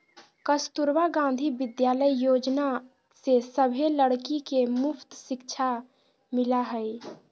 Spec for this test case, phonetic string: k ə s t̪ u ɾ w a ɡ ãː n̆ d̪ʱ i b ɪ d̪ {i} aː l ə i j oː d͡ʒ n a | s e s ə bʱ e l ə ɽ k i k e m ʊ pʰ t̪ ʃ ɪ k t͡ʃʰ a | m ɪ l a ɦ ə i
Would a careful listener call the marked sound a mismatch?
yes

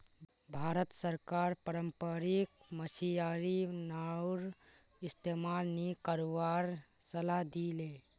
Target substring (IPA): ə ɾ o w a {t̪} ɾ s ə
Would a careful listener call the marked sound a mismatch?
yes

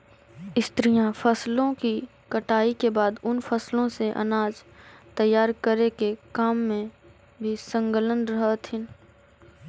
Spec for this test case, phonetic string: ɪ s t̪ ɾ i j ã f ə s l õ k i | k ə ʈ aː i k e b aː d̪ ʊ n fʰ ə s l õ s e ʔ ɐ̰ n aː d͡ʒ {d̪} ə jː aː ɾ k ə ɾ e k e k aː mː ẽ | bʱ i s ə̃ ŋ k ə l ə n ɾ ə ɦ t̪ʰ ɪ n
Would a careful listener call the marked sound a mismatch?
yes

